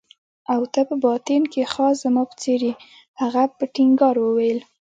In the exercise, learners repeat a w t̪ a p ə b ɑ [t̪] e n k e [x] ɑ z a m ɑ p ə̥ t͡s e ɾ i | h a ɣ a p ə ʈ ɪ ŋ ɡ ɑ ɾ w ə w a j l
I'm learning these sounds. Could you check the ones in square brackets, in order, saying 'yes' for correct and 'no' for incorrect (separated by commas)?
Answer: yes, yes